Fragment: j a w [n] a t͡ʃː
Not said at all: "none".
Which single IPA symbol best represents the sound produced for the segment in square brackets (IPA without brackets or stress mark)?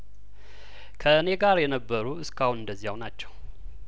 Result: n